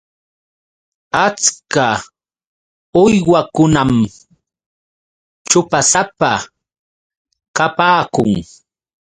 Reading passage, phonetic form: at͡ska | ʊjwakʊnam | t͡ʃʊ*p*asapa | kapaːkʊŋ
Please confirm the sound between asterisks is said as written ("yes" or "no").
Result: yes